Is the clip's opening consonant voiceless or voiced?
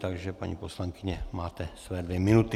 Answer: voiceless